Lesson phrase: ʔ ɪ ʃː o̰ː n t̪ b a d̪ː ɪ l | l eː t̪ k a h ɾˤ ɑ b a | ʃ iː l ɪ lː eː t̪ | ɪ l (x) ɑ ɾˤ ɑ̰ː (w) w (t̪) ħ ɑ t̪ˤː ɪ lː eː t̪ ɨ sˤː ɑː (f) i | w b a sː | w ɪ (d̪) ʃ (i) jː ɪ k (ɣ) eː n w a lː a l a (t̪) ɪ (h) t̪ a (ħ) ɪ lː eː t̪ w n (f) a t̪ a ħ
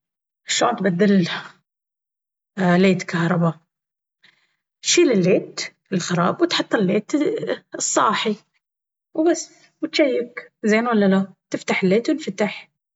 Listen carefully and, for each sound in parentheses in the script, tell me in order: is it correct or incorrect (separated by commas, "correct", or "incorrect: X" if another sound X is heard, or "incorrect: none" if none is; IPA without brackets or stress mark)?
correct, incorrect: b, correct, incorrect: ħ, incorrect: t̪, incorrect: a, incorrect: z, correct, incorrect: f, correct, correct